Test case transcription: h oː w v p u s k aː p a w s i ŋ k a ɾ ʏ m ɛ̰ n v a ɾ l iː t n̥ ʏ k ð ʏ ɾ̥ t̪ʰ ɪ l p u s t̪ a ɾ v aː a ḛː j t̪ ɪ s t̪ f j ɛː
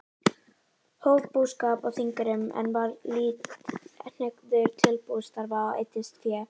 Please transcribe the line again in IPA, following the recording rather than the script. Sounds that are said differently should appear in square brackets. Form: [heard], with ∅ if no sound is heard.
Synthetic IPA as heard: h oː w v p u s k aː p a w [θ] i ŋ k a ɾ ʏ m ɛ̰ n v a ɾ l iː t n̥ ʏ k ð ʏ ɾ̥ t̪ʰ ɪ l p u s t̪ a ɾ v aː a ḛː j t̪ ɪ s t̪ f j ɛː